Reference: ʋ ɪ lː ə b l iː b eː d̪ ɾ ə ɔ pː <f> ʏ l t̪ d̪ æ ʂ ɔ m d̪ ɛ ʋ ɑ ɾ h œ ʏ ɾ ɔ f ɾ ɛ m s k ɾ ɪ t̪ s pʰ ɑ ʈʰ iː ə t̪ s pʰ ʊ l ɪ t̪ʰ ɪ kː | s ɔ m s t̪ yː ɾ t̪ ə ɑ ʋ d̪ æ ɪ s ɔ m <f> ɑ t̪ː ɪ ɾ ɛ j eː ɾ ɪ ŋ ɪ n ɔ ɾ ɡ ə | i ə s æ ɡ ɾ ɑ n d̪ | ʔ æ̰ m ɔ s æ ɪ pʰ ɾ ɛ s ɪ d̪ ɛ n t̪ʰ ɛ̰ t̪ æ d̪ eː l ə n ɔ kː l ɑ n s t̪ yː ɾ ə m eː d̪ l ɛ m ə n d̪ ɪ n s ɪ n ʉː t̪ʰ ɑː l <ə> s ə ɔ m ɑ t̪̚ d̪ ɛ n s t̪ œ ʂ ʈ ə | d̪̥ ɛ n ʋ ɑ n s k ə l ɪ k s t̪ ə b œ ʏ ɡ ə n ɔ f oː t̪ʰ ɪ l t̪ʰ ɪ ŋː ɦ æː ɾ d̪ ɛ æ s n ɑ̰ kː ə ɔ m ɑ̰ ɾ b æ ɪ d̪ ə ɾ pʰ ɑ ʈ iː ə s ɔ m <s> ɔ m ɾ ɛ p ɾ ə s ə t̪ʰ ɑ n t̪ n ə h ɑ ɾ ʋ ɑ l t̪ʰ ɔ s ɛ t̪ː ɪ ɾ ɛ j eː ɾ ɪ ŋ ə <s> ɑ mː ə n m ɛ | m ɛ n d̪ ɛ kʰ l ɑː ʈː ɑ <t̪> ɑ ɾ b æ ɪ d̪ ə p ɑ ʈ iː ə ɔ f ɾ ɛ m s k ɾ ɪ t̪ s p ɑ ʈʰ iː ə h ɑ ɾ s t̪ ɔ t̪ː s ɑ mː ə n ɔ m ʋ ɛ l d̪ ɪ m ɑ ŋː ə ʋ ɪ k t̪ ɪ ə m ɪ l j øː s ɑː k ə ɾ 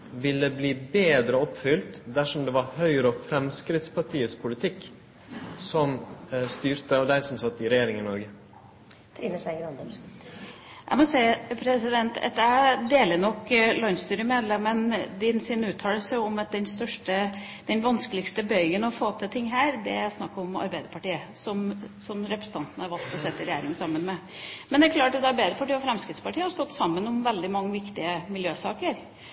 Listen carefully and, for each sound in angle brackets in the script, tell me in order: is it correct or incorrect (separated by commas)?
correct, incorrect, correct, correct, correct, correct